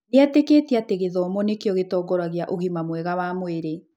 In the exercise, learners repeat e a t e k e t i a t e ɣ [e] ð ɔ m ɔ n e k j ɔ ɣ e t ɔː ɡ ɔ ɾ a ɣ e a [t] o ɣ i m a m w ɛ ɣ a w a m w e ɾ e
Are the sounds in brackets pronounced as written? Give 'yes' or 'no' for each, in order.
yes, no

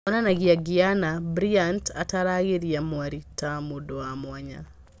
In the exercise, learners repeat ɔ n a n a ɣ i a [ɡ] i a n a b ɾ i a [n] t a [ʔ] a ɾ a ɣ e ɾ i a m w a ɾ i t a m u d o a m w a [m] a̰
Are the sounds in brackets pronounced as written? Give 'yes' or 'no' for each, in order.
yes, yes, no, no

